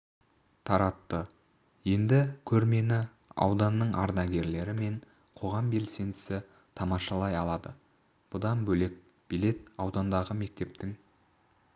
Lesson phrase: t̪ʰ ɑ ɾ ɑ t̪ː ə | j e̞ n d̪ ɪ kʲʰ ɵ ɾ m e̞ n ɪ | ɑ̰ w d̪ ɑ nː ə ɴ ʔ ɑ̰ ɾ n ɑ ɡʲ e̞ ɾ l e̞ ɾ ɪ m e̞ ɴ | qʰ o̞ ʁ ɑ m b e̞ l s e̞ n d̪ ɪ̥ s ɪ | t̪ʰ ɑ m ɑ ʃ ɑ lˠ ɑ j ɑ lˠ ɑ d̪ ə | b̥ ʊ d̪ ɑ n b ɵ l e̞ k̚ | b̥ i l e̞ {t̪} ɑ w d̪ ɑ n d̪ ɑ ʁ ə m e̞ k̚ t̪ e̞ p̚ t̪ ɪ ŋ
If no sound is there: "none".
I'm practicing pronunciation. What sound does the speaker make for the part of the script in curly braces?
t̪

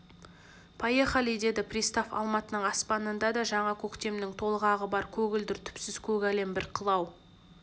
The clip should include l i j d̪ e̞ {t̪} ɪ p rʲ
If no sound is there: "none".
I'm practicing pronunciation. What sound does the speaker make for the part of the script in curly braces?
d̪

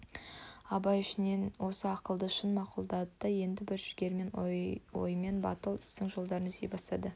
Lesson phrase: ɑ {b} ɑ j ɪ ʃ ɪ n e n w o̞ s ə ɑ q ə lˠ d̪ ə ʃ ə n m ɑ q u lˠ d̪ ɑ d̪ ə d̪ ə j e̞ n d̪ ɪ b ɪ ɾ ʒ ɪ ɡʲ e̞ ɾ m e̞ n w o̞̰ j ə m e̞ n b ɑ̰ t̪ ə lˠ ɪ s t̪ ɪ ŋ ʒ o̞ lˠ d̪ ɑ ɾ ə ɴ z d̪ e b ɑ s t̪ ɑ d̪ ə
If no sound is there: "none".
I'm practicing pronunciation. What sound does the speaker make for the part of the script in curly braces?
b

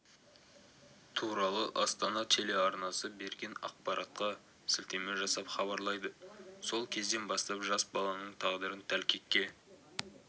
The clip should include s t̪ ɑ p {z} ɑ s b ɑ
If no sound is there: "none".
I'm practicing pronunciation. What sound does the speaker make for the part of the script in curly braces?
ʒ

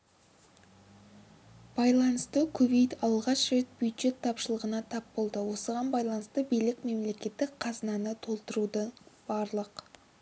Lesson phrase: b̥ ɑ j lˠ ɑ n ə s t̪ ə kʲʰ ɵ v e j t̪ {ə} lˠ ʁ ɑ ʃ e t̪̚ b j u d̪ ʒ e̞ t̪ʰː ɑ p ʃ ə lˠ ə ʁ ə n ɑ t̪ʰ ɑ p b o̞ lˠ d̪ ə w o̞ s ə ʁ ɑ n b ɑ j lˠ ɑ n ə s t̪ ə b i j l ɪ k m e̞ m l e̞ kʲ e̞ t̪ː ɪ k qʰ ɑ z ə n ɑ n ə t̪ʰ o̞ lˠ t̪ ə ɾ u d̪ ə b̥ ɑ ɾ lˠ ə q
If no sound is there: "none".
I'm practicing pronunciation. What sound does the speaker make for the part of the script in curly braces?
ɑ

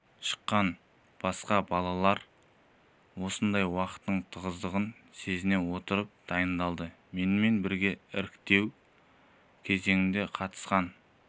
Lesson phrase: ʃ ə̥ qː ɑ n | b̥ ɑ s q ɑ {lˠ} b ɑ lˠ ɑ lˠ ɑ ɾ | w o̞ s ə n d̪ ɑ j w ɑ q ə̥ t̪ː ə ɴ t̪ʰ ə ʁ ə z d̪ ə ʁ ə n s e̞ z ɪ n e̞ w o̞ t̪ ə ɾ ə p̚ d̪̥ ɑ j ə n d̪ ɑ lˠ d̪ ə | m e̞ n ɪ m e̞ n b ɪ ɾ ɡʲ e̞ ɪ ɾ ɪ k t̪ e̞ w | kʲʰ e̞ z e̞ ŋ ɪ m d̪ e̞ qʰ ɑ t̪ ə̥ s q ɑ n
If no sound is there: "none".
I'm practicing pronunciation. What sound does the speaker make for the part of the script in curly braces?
none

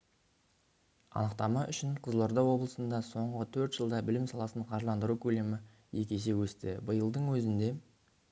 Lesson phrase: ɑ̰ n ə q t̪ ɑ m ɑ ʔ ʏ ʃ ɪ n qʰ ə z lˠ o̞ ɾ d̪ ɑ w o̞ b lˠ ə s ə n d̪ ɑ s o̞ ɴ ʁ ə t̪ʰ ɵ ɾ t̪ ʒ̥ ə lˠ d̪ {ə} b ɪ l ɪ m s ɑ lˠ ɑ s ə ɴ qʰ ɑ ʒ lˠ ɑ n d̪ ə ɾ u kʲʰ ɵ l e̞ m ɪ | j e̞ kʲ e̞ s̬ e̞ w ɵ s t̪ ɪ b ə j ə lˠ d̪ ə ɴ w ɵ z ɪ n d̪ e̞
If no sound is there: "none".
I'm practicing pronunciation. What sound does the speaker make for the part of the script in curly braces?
ɑ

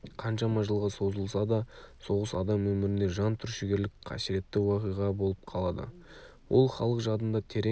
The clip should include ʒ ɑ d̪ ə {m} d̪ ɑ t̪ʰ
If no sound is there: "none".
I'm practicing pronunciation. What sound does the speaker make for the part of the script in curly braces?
n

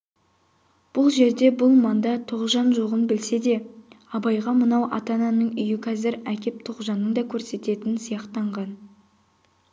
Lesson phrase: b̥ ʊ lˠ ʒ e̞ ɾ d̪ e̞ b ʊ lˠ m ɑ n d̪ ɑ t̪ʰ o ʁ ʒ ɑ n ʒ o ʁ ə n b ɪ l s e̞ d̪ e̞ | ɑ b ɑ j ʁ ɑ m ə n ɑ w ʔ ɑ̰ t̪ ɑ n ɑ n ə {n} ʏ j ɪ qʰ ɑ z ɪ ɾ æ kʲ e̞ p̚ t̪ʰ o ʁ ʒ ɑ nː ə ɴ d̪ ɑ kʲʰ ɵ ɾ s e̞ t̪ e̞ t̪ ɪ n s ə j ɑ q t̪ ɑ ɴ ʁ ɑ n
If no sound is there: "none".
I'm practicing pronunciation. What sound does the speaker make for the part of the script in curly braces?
ɴ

